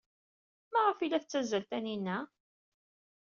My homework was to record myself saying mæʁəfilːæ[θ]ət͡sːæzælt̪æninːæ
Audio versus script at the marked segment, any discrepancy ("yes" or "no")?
no